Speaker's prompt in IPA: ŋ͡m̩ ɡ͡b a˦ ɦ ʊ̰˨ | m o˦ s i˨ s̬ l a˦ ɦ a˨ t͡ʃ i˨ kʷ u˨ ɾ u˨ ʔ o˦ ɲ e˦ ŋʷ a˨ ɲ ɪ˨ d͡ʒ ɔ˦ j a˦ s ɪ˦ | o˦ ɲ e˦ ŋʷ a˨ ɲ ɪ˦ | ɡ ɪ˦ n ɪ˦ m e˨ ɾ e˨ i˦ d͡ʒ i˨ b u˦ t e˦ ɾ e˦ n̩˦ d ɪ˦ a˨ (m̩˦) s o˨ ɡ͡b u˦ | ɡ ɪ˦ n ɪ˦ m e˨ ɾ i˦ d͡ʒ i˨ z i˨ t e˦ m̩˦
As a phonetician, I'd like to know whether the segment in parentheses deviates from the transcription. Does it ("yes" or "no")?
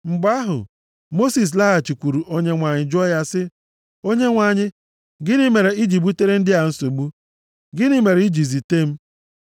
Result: yes